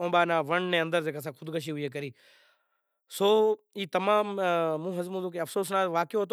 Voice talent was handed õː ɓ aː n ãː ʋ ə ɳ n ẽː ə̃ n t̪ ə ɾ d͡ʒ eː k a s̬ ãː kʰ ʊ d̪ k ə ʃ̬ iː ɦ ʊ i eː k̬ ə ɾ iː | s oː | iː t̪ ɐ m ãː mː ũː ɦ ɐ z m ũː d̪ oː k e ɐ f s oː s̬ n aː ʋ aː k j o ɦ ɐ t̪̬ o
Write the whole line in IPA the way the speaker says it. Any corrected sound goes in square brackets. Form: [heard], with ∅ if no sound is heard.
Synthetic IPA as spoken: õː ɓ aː n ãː ʋ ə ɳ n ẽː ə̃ n [d̪] ə ɾ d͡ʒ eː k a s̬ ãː kʰ ʊ d̪ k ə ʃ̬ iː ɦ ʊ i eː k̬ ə ɾ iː | s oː | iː t̪ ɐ m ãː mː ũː ɦ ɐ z m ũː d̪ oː k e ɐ f s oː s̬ n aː ʋ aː k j o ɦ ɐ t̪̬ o